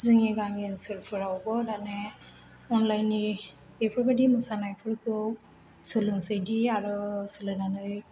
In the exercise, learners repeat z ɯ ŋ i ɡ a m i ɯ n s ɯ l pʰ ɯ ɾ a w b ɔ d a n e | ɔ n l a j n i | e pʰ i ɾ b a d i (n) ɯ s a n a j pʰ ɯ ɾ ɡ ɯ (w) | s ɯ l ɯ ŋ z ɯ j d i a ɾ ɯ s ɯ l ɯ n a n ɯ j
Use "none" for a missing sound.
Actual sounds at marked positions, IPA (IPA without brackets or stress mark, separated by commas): m, w